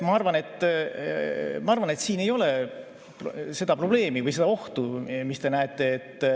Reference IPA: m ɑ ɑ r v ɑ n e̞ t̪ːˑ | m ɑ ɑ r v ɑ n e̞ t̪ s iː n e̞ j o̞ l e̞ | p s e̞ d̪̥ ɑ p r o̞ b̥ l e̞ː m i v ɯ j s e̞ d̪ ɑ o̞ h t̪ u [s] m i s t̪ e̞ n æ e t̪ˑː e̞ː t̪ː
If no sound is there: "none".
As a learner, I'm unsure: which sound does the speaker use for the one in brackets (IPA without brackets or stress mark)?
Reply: none